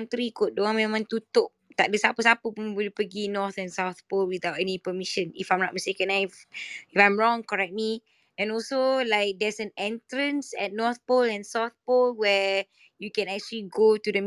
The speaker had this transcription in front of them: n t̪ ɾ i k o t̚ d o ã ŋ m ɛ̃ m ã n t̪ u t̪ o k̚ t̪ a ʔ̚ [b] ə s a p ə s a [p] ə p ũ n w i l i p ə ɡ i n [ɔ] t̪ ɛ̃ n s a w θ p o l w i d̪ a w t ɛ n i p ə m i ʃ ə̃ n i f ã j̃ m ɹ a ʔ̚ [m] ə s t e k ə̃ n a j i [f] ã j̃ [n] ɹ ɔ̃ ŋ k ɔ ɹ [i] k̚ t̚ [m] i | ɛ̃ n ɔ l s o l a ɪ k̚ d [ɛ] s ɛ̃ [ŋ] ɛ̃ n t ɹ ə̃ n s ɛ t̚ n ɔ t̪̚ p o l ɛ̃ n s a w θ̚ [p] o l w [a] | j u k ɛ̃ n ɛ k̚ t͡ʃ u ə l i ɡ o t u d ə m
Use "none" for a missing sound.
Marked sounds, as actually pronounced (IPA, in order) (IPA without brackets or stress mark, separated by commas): d, p, ɔ, m, f, m, ɛ, m, ɛ, n, p, ɛ